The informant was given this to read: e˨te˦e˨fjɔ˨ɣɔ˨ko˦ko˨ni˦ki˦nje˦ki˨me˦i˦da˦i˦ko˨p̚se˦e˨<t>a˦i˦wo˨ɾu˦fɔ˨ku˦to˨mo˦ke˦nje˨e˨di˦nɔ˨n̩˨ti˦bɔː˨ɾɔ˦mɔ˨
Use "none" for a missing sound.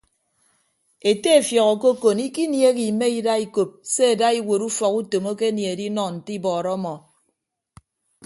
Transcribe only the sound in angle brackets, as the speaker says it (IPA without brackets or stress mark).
d